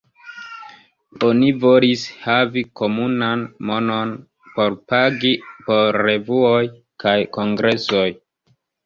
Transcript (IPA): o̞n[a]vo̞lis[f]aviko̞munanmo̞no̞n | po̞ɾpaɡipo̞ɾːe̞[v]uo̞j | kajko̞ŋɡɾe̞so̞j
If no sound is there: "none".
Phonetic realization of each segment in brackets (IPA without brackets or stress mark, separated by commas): i, h, v